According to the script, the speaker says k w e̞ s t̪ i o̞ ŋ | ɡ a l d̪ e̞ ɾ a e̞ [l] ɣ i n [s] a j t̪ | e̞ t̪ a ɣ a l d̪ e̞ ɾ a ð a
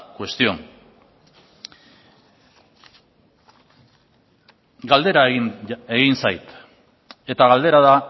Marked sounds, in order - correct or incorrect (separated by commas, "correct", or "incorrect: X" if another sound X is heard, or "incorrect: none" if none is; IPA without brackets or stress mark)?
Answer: incorrect: none, correct